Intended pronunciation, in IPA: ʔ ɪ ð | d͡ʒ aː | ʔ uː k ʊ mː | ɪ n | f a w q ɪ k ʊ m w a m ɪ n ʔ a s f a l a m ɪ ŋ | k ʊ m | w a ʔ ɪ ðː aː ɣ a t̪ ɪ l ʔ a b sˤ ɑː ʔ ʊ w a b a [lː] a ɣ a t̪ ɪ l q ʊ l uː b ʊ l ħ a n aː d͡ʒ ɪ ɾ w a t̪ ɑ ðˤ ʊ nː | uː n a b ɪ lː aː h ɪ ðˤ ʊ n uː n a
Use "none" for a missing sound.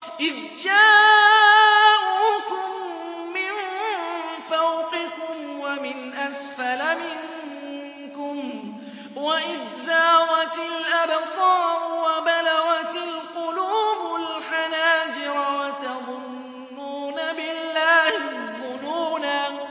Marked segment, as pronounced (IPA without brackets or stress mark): l